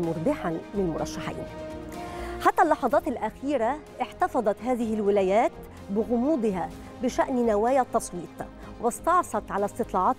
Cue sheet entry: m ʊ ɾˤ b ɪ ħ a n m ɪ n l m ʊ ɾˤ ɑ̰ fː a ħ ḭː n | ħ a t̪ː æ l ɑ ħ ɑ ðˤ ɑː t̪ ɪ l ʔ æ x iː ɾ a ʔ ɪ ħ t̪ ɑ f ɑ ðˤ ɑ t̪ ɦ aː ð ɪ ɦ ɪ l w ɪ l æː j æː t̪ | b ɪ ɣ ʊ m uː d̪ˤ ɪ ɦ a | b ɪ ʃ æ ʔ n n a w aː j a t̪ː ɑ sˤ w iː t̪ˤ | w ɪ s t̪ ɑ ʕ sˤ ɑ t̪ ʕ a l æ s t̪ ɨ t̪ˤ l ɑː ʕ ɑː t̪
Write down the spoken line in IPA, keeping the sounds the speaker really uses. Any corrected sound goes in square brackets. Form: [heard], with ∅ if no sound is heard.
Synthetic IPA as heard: m ʊ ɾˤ b ɪ ħ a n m ɪ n l m ʊ ɾˤ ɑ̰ [ʃː] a ħ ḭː n | ħ a t̪ː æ [lː] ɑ ħ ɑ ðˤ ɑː t̪ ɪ l ʔ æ x iː ɾ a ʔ ɪ ħ t̪ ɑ f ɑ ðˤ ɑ t̪ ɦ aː ð ɪ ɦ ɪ l w ɪ l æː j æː t̪ | b ɪ ɣ ʊ m uː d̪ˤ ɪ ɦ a | b ɪ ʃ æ ʔ n n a w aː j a t̪ː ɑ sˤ w iː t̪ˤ | w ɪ s t̪ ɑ ʕ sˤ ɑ t̪ ʕ a l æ s t̪ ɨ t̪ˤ l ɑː ʕ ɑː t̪